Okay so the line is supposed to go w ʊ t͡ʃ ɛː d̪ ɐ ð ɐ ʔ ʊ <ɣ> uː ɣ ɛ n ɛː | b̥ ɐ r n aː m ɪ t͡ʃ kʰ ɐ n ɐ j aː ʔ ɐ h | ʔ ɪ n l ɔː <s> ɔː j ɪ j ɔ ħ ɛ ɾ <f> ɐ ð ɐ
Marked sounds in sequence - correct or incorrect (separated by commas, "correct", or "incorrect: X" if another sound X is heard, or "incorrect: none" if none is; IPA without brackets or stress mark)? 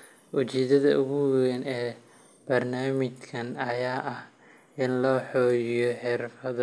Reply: correct, incorrect: ħ, correct